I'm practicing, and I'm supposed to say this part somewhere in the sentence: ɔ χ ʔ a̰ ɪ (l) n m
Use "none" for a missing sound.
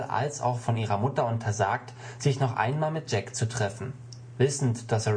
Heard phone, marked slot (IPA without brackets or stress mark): none